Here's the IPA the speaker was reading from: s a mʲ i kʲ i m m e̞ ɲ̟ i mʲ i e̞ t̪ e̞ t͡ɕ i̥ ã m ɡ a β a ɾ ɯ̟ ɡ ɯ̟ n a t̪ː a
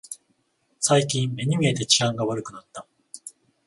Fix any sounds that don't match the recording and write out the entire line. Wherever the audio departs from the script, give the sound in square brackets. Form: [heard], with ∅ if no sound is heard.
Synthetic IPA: s a [∅] i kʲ [ĩ] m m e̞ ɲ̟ i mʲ i e̞ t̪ e̞ t͡ɕ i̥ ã [ŋ] ɡ a β a ɾ ɯ̟ [k] ɯ̟ n a t̪ː a